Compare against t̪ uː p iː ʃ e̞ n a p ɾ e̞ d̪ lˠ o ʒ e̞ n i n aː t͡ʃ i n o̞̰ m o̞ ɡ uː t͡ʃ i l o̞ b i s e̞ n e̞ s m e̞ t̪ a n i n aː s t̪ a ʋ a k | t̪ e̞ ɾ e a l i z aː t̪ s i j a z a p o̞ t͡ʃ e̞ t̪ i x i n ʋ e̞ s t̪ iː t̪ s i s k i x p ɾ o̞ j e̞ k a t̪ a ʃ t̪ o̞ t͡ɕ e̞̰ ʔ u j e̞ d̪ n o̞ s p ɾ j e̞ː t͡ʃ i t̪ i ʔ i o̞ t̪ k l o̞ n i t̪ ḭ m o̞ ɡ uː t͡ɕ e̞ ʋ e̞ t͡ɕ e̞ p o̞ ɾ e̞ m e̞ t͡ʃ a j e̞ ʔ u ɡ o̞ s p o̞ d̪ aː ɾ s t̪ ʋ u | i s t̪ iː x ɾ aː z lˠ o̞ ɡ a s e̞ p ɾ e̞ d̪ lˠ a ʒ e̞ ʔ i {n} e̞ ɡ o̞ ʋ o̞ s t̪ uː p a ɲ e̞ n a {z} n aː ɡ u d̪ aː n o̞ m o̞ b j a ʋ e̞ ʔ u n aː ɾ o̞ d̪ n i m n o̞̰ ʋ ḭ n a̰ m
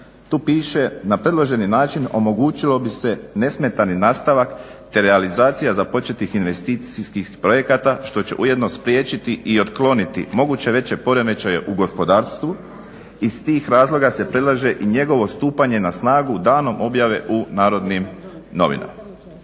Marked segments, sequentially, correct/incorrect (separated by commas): incorrect, incorrect